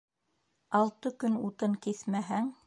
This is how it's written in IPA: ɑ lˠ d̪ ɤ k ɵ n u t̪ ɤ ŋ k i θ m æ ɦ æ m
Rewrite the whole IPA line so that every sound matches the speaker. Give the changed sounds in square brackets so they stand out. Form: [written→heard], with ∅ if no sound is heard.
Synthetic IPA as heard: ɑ lˠ [d̪→t̪] ɤ k ɵ n u t̪ ɤ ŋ k i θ m æ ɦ æ [m→ŋ]